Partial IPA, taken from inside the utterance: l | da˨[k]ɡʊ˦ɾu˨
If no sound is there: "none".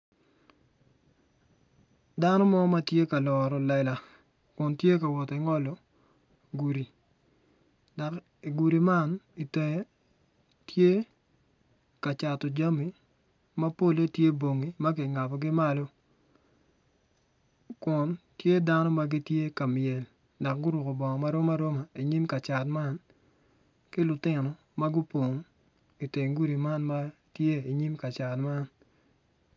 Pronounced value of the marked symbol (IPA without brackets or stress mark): k